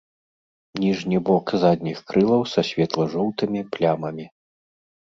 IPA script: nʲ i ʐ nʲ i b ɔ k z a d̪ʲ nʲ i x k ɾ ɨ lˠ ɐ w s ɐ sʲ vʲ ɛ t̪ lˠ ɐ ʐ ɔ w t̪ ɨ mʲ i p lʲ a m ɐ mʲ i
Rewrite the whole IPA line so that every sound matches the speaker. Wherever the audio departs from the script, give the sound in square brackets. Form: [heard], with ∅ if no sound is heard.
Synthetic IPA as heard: nʲ i ʐ nʲ i b ɔ k z a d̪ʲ nʲ i x k ɾ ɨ lˠ ɐ w s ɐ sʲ vʲ ɛ t̪ lˠ ɐ ʐ ɔ w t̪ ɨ mʲ i p lʲ a m ɐ mʲ i